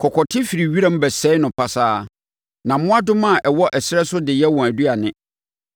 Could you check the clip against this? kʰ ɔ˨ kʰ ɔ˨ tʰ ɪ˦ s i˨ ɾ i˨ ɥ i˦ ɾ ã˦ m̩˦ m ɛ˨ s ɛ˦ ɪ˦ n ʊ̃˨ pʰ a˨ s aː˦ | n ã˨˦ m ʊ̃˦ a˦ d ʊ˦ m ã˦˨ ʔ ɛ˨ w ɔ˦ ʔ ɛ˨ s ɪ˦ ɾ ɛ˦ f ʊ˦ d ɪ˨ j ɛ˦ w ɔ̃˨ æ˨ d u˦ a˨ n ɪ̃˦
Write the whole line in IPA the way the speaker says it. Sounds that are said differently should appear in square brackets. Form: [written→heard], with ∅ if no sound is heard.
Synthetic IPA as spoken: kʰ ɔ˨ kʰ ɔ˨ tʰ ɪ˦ [s→f] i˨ ɾ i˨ ɥ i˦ ɾ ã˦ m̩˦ [m→b] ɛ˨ s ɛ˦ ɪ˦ n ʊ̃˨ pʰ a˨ s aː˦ | n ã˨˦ m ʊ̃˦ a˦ d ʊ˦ m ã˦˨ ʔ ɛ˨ w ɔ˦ ʔ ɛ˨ s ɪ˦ ɾ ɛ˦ [f→s] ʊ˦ d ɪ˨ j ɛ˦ w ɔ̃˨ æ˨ d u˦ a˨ n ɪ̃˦